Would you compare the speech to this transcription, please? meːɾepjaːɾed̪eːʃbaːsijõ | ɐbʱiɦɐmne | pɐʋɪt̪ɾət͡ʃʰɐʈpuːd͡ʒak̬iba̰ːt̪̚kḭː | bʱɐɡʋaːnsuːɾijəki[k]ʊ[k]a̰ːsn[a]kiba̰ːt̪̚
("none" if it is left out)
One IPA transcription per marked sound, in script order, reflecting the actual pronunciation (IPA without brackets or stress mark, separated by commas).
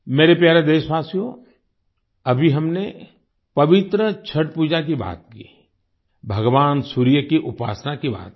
ʔ, p, a